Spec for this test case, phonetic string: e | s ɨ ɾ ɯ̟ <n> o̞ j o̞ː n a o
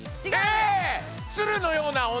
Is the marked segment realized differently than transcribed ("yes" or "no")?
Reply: no